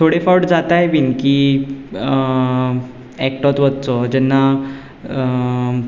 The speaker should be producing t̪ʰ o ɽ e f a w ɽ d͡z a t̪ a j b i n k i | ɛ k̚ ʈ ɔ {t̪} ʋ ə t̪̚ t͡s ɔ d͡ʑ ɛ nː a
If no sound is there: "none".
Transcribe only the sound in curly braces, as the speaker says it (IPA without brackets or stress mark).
t̪